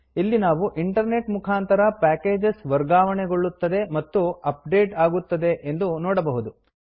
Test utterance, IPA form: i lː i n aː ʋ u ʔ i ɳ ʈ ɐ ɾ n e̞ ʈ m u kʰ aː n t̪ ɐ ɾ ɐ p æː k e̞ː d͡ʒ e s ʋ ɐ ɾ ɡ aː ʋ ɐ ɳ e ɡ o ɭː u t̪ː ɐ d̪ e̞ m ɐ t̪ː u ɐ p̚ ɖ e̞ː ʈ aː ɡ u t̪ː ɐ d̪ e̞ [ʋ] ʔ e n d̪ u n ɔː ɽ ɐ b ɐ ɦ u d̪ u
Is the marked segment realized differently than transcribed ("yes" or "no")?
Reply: yes